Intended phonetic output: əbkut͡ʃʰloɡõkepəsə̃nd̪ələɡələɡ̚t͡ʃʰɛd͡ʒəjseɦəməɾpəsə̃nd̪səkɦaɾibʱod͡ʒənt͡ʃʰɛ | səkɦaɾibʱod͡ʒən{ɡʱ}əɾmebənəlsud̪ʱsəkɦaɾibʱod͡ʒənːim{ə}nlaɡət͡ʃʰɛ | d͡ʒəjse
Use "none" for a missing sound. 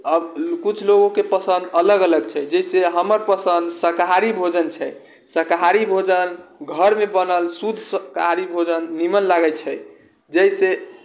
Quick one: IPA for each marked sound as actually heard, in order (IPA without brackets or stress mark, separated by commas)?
ɡʱ, ə